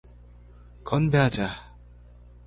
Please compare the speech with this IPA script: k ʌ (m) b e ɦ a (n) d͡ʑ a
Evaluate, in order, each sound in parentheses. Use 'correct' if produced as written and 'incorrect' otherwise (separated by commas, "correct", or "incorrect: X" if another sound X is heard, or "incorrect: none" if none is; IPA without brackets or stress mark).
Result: incorrect: n, incorrect: none